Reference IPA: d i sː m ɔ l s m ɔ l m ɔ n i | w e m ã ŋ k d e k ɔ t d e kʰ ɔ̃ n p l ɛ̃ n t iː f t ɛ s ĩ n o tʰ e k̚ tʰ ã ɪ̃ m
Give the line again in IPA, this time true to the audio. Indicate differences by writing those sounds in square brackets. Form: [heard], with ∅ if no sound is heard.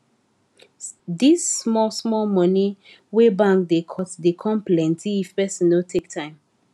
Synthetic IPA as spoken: d i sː m ɔ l s m ɔ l m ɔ n i | w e [b] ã ŋ k d e [kʰ] ɔ t d e kʰ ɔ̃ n p l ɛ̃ n t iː f [p] ɛ s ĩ n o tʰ e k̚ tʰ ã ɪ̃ m